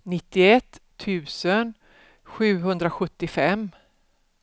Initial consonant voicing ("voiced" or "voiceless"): voiced